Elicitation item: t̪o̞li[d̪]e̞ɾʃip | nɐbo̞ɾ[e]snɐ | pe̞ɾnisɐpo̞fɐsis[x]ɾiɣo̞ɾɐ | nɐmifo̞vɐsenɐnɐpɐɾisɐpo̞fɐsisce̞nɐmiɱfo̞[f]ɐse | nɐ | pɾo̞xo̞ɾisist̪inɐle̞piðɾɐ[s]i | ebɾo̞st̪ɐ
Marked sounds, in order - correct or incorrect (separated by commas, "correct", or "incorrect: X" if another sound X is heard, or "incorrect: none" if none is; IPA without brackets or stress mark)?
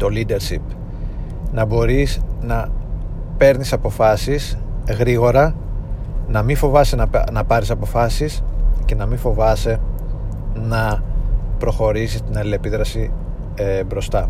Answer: correct, incorrect: i, incorrect: ɣ, incorrect: v, correct